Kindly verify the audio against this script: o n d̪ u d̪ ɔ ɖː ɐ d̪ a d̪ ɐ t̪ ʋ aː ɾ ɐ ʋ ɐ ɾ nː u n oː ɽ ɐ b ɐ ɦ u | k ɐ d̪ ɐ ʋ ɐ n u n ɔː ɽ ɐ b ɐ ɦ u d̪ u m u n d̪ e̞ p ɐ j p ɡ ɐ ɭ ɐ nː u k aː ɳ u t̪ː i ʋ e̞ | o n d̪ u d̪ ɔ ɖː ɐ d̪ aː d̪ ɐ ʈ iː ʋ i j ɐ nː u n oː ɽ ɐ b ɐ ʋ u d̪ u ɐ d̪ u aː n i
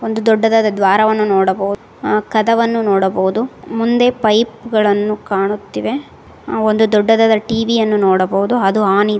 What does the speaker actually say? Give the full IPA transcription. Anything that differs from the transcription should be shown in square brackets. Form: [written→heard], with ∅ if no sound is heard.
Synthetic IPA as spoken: o n d̪ u d̪ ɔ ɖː ɐ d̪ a d̪ ɐ [t̪→d̪] ʋ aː ɾ ɐ ʋ ɐ [ɾ→∅] nː u n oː ɽ ɐ b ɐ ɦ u | k ɐ d̪ ɐ ʋ ɐ [n→nː] u n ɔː ɽ ɐ b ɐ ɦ u d̪ u m u n d̪ e̞ p ɐ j p ɡ ɐ ɭ ɐ nː u k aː ɳ u t̪ː i ʋ e̞ | o n d̪ u d̪ ɔ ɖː ɐ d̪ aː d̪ ɐ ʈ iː ʋ i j ɐ nː u n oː ɽ ɐ b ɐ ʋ u d̪ u ɐ d̪ u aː n i